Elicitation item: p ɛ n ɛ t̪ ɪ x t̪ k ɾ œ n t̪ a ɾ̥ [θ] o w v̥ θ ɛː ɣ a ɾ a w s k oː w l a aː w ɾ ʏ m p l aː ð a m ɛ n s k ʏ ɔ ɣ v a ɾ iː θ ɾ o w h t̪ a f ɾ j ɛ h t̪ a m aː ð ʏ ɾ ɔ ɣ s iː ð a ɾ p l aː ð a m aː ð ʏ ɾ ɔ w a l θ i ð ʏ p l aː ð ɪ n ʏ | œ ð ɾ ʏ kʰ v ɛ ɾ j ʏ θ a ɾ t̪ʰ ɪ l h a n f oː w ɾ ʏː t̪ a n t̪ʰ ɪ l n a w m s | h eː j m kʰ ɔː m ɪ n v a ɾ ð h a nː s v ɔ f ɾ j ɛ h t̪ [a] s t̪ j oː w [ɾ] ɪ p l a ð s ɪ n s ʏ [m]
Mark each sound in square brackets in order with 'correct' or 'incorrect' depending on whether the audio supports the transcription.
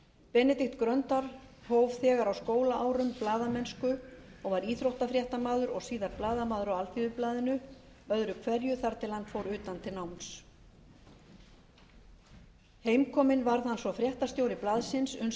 incorrect: h, correct, correct, incorrect: n

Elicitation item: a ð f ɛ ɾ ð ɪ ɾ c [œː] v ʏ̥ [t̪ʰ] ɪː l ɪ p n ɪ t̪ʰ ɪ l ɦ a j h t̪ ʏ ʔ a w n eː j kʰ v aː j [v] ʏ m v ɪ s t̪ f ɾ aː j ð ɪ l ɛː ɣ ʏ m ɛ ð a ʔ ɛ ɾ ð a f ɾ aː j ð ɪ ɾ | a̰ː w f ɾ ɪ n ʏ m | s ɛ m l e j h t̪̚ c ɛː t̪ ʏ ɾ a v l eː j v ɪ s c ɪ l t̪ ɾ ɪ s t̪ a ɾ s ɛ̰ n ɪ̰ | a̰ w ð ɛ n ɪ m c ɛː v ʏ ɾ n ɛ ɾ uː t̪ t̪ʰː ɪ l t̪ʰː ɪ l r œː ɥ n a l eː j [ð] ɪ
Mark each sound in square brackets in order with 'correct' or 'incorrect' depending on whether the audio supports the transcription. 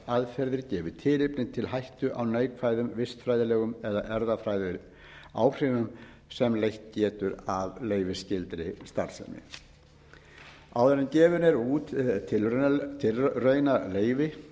incorrect: ɛː, correct, incorrect: ð, incorrect: v

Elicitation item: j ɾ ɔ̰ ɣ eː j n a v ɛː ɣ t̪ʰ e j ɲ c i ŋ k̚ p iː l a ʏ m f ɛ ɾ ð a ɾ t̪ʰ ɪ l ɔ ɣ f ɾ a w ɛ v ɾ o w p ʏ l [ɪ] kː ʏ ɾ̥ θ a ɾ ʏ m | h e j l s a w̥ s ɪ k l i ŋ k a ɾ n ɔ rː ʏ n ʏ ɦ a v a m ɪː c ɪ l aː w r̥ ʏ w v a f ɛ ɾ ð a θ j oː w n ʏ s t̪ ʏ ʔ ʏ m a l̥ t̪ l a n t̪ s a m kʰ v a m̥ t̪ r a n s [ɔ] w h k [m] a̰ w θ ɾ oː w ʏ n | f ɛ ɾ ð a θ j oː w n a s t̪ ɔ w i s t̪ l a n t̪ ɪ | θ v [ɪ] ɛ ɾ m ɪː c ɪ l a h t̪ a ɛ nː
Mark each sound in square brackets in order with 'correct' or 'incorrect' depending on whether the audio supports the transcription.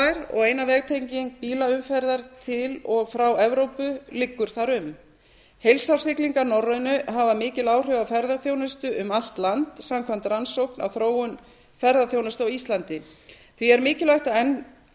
correct, incorrect: o, incorrect: n, incorrect: i

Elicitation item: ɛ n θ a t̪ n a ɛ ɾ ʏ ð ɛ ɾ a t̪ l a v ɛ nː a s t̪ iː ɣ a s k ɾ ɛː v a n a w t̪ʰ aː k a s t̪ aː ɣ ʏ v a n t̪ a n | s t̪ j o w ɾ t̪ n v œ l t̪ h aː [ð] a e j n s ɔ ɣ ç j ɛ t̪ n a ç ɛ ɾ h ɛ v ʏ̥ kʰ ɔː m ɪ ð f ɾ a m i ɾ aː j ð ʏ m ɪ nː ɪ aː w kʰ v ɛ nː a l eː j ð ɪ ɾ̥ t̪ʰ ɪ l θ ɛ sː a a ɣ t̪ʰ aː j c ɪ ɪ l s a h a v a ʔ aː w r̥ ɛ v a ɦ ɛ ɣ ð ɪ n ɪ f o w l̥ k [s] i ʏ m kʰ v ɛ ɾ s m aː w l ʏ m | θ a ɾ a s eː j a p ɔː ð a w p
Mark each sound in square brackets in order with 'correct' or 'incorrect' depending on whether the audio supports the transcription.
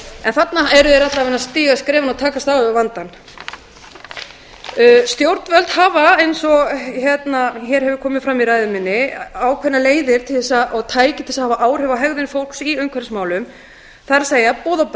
incorrect: v, correct

